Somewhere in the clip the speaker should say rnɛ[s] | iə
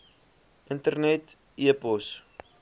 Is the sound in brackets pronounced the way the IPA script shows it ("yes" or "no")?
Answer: no